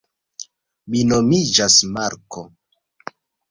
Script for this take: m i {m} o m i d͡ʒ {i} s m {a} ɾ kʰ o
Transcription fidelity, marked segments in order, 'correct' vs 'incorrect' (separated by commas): incorrect, incorrect, correct